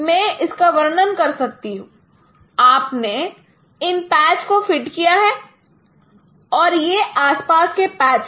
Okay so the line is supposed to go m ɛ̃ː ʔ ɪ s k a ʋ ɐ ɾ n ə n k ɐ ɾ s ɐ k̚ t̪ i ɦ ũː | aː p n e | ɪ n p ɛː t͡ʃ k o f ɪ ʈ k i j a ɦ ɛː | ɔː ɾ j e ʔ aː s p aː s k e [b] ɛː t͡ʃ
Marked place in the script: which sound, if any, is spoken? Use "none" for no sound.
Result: p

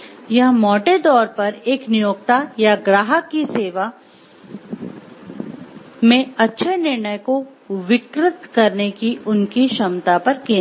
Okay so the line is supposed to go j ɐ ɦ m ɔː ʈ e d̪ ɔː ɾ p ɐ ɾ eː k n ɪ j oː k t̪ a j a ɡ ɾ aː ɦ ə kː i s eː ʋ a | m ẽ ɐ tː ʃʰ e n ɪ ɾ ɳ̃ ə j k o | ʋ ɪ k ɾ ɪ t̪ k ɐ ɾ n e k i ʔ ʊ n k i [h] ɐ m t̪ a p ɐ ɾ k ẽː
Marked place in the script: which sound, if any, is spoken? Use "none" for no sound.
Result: ʃ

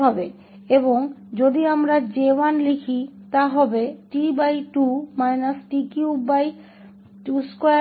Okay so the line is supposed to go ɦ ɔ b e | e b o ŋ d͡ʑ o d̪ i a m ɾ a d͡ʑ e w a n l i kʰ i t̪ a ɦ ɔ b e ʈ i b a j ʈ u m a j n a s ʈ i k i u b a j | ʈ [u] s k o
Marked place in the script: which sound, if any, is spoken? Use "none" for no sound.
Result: u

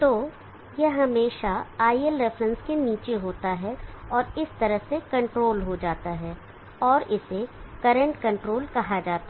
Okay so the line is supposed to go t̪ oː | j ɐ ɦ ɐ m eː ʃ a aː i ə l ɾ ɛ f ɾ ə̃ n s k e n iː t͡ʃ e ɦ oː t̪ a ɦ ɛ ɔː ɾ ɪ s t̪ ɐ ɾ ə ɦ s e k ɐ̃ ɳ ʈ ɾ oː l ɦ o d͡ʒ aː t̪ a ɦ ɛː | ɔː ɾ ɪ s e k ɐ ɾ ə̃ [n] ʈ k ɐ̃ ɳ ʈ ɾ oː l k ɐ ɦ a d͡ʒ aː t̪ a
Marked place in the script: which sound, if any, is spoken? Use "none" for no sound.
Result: ɳ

